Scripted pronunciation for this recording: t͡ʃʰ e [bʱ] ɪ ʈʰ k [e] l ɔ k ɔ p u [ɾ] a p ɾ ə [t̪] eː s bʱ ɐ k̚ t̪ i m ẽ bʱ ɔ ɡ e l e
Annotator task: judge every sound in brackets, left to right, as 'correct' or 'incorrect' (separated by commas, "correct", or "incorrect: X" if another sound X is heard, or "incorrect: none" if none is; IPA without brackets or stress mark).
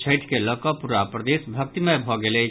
incorrect: none, correct, correct, incorrect: d̪